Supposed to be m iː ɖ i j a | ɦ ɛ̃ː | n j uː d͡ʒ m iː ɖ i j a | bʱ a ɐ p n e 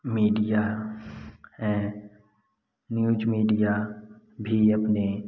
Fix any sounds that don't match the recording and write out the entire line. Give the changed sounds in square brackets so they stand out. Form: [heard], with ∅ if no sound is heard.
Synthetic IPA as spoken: m iː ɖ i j a | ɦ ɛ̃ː | n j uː d͡ʒ m iː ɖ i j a | bʱ [i] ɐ p n e